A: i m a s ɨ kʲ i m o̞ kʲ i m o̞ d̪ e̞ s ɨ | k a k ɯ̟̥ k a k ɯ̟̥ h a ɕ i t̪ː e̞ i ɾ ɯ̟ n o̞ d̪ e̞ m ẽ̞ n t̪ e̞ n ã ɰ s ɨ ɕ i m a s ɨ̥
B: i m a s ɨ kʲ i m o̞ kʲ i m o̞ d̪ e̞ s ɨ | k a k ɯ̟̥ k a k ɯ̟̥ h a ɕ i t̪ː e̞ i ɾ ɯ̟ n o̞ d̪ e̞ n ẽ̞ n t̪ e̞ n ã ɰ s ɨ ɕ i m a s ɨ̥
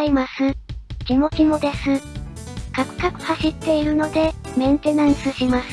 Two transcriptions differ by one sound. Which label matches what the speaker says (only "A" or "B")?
A